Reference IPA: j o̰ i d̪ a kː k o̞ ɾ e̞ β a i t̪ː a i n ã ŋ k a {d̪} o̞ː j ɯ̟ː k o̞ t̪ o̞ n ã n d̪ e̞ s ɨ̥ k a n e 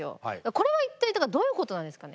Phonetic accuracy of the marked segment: correct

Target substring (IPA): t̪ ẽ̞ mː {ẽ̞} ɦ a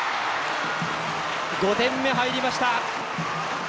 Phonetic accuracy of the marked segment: incorrect: e̞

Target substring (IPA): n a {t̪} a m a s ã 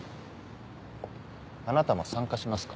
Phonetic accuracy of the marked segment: correct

